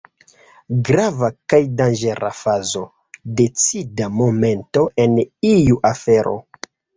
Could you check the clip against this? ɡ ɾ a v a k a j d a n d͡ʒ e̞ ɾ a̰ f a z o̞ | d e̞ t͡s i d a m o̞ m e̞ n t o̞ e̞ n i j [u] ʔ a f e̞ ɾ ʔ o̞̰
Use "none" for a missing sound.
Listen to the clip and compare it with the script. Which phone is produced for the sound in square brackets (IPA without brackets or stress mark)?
u